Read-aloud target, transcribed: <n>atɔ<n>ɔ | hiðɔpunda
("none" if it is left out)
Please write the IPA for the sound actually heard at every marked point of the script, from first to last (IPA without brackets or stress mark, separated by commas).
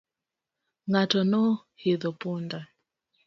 ŋ, n